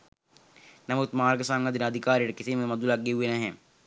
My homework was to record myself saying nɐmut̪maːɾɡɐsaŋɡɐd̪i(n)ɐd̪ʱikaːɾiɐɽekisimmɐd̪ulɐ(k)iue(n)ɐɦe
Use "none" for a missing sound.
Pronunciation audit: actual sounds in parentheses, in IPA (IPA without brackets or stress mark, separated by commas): n, ɡ, n